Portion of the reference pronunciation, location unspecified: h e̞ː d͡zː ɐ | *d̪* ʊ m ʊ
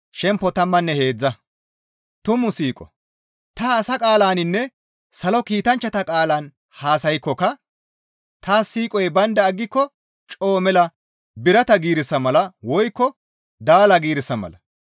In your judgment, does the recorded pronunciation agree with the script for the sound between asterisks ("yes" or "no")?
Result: no